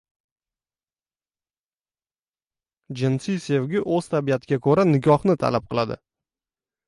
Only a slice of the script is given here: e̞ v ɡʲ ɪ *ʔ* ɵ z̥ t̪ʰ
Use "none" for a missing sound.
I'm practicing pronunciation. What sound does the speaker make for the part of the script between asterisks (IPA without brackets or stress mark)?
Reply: ʔ